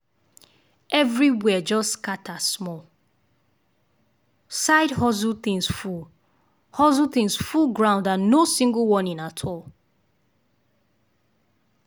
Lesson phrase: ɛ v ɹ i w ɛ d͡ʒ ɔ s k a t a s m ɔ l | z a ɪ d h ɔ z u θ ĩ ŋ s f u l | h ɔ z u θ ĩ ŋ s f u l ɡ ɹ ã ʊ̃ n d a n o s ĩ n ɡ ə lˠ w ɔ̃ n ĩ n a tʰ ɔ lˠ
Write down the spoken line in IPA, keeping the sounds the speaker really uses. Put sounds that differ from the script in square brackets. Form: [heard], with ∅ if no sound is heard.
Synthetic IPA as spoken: ɛ v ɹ i w ɛ d͡ʒ ɔ s k a t a s m ɔ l | [s] a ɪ d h ɔ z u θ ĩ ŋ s f u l | h ɔ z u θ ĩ ŋ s f u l ɡ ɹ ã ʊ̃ n d a n o s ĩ [ŋ] ɡ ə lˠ w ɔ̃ n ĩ n a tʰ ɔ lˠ